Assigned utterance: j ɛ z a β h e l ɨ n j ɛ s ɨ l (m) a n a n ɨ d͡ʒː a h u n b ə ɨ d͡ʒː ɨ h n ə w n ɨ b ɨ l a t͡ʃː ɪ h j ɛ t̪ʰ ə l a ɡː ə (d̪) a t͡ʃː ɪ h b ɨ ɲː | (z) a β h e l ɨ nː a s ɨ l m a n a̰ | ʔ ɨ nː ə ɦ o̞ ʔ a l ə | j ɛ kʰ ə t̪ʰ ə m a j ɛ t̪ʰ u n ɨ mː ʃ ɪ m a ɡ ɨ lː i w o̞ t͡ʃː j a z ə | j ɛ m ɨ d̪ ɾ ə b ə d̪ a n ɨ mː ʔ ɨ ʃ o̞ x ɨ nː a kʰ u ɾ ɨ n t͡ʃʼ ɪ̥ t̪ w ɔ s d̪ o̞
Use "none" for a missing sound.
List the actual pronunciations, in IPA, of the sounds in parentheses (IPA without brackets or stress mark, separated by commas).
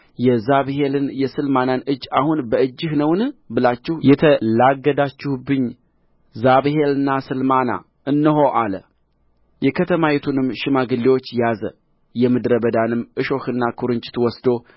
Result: m, d̪, z